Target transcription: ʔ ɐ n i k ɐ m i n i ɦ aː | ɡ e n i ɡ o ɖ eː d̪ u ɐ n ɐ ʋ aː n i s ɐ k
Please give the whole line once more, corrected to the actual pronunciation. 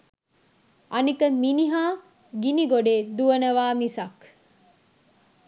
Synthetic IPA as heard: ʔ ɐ n i k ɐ m i n i ɦ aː | ɡ i n i ɡ o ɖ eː d̪ u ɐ n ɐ ʋ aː m i s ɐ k